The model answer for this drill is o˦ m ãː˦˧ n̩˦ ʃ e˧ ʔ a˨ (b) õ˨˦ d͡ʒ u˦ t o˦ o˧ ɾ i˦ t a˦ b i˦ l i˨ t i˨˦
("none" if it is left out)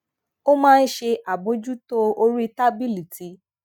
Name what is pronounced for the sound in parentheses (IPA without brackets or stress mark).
b